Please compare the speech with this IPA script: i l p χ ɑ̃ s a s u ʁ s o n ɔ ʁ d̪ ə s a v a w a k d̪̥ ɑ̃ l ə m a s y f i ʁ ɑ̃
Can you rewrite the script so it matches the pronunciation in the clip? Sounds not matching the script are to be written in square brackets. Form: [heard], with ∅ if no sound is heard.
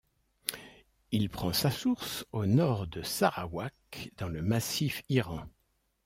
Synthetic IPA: i l p χ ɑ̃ s a s u ʁ s o n ɔ ʁ d̪ ə s a [ʁ] a w a k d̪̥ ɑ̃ l ə m a s [i] f i ʁ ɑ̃